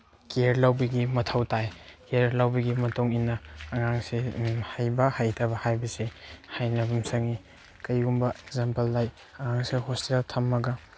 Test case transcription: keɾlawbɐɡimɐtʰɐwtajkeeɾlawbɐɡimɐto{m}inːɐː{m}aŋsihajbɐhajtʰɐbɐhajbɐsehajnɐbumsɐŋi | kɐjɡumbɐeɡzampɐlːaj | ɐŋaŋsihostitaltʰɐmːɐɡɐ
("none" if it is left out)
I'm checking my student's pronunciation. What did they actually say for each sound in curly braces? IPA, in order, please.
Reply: ŋ, ŋ

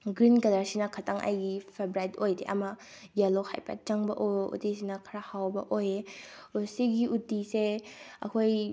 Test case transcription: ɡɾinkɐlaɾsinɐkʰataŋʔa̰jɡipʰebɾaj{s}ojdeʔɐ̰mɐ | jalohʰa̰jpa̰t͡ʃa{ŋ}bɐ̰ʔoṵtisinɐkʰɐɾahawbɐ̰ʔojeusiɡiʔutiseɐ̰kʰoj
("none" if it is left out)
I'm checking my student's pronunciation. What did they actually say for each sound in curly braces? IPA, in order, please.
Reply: t, ŋ

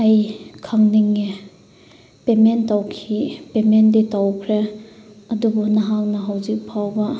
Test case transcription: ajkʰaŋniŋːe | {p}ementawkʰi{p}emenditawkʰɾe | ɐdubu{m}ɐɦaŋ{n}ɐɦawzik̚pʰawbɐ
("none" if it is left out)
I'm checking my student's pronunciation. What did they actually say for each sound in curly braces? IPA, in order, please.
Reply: p, p, n, n

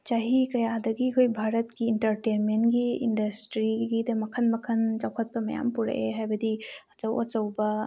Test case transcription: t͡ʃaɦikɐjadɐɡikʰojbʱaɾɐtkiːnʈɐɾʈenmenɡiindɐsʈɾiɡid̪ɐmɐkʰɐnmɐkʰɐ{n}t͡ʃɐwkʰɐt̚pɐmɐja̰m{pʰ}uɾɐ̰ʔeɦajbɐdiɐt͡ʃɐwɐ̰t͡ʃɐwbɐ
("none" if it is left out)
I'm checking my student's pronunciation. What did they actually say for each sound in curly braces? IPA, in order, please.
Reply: n, p

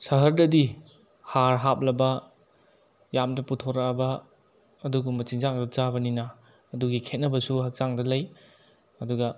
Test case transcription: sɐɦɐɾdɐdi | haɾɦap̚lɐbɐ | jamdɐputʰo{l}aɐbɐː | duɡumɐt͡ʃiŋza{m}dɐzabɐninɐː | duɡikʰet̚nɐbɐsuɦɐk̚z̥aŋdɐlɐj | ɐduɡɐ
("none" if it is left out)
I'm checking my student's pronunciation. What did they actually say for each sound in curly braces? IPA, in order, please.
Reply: ɾ, ŋ

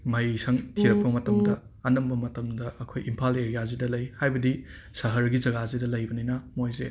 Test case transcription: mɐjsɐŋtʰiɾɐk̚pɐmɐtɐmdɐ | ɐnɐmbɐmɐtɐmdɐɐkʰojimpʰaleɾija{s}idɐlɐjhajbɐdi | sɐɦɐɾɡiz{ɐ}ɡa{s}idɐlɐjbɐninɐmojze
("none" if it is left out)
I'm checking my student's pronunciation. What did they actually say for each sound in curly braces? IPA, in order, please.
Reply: z, ɐ, z

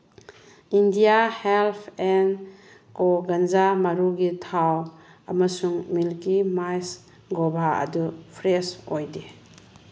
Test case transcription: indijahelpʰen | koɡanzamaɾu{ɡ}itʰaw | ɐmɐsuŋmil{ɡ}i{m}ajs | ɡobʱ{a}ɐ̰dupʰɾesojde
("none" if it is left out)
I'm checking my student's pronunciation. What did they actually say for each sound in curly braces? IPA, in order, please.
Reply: ɡ, k, m, a

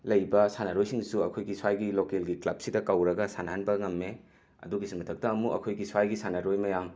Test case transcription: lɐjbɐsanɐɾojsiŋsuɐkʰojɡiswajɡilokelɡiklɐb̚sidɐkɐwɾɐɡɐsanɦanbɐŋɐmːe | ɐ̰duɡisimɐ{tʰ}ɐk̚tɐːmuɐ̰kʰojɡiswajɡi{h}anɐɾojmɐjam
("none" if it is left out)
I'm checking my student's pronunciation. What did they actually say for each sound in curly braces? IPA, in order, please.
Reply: tʰ, s

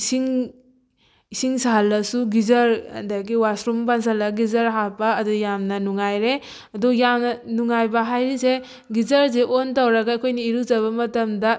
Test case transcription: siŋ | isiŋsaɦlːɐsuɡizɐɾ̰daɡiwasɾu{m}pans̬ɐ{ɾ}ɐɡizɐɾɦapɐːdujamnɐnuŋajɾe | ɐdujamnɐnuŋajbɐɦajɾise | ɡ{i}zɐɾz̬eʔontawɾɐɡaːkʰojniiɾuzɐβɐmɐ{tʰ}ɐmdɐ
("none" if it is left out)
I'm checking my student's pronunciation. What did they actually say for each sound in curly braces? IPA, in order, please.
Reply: m, l, i, t

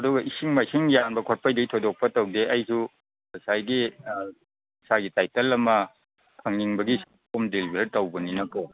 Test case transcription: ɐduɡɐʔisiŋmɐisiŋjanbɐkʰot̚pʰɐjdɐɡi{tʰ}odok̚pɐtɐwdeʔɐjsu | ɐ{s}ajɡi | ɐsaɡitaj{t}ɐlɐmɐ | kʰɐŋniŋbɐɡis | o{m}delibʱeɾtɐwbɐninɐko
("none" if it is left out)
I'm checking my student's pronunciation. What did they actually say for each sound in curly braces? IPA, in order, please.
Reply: tʰ, s, t, m

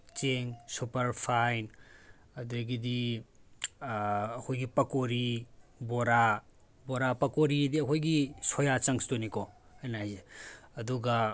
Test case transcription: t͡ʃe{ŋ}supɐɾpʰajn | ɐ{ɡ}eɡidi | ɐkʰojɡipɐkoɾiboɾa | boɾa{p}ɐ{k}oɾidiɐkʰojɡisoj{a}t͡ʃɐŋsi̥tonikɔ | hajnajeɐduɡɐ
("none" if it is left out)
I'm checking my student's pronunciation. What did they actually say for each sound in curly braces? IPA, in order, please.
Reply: ŋ, d, p, k, a

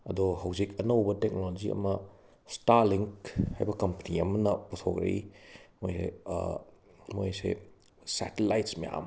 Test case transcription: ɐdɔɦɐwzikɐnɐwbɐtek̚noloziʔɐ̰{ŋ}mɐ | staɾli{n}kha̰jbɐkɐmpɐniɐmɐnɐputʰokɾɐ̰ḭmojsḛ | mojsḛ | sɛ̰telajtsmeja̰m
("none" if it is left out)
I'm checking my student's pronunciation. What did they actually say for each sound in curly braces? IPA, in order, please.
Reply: none, ŋ

